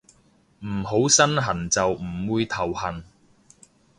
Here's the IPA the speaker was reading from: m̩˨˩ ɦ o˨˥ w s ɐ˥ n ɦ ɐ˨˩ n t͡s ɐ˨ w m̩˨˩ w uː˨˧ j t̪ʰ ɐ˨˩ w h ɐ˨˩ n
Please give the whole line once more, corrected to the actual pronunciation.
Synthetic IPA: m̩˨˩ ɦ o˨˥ w s ɐ˥ n ɦ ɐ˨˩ n t͡s ɐ˨ w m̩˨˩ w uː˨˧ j t̪ʰ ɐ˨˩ w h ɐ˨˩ n